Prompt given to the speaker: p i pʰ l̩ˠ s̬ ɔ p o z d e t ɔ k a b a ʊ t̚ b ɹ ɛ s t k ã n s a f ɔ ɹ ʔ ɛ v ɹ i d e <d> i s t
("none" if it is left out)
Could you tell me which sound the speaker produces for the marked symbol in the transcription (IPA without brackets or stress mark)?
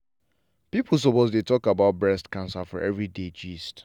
d͡ʒ